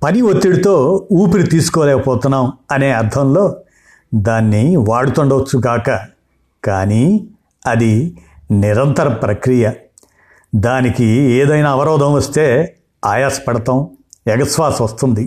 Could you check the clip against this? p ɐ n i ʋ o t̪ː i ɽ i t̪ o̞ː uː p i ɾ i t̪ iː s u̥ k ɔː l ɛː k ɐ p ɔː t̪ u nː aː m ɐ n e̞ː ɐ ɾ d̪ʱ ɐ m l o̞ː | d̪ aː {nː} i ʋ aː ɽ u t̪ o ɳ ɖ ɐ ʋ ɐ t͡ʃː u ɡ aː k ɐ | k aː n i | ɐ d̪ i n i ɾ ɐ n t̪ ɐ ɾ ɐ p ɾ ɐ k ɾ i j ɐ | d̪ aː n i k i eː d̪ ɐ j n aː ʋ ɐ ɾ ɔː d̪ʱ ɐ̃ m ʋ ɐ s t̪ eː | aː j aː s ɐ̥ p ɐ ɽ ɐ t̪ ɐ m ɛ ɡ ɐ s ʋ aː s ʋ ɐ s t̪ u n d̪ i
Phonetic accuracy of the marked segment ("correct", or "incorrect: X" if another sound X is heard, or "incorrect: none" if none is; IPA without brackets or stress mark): correct